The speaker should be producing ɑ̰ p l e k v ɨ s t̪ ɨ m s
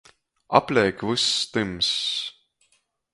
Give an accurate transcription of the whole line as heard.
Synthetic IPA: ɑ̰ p l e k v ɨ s t̪ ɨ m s

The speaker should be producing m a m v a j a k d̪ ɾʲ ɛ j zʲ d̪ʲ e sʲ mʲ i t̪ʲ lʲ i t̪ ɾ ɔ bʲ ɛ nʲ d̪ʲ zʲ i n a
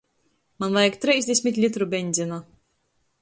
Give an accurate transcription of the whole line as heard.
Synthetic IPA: m a n v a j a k t̪ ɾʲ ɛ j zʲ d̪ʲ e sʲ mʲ i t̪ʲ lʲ i t̪ ɾ u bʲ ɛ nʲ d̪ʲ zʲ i n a

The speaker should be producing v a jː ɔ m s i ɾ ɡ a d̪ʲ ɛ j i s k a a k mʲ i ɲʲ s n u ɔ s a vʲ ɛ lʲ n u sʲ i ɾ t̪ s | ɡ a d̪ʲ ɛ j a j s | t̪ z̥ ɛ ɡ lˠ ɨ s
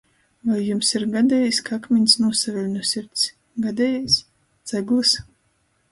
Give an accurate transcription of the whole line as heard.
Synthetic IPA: v a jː u m s i ɾ ɡ a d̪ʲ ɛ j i s k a a k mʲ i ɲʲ s n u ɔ s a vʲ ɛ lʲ n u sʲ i ɾ t̪ s | ɡ a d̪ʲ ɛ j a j s | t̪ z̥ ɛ ɡ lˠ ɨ s

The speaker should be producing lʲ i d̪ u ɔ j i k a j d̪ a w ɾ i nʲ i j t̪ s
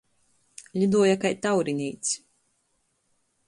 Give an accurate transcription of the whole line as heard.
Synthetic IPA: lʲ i d̪ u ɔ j a k a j t̪ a w ɾ i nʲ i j t̪ s

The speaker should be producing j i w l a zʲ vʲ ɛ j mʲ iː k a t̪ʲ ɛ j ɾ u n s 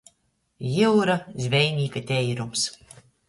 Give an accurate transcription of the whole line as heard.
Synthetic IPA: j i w ɾ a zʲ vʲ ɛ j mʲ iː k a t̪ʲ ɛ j ɾ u m s

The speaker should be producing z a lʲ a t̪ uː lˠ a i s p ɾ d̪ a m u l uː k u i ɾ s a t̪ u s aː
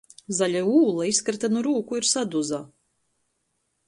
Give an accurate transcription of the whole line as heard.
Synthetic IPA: z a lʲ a uː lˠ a i s k ɾ t̪ a n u ɾ uː k u i ɾ s a d̪ u z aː

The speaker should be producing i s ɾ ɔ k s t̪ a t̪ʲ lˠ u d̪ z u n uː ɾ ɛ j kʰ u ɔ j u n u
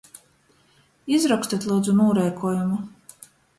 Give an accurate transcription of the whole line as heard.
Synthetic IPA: i z ɾ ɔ k s t̪ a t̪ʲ lˠ uː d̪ z u n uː ɾ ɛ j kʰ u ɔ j u m u

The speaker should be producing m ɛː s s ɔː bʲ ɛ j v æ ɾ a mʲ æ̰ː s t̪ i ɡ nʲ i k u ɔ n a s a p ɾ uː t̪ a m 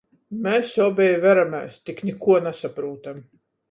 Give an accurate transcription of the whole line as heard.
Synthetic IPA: m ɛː s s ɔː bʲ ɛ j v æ ɾ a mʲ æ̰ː s t̪ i k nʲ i k u ɔ n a s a p ɾ uː t̪ a m

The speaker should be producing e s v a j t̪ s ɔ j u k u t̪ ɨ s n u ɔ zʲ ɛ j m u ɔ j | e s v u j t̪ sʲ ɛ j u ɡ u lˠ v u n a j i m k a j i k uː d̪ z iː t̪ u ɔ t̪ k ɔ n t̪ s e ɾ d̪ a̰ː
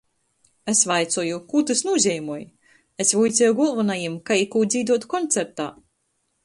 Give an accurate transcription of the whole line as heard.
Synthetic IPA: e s v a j t̪ s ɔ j u k u t̪ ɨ s n u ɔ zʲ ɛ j m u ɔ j | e s v u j t̪ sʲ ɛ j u ɡ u lˠ v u n a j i m k a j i k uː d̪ z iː d̪ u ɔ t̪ k ɔ n t̪ s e ɾ t̪ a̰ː

